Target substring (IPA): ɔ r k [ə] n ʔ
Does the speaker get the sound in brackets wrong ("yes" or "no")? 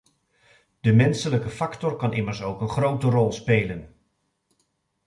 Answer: yes